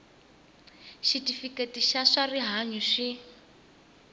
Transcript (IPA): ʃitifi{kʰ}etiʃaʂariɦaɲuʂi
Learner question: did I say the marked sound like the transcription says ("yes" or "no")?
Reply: no